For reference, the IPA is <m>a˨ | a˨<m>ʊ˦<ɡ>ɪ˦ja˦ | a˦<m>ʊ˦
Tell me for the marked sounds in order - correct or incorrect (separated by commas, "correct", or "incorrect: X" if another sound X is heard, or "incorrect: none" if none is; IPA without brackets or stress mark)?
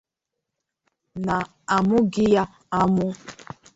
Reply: incorrect: n, correct, correct, correct